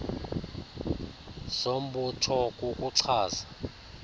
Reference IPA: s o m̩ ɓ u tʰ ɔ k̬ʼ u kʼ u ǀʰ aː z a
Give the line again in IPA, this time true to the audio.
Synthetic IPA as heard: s o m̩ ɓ u tʰ ɔ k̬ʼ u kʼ u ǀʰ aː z a